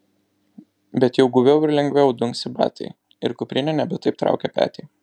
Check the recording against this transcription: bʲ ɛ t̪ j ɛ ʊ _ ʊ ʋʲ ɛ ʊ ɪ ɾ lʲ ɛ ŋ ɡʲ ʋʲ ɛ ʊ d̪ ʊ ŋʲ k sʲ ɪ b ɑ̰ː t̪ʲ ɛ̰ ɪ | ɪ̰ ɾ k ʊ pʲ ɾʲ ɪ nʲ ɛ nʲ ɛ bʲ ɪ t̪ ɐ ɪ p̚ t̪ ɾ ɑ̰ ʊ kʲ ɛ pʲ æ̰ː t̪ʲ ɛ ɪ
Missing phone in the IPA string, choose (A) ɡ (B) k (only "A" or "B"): A